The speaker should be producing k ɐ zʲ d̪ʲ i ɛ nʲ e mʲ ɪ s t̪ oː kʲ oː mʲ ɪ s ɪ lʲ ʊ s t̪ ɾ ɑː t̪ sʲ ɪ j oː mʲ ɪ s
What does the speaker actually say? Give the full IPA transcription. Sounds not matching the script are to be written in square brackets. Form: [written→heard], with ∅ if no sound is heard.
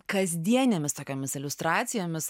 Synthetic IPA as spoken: k ɐ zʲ d̪ʲ i ɛ nʲ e mʲ ɪ s t̪ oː kʲ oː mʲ ɪ s ɪ lʲ ʊ s t̪ ɾ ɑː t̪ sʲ ɪ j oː mʲ ɪ s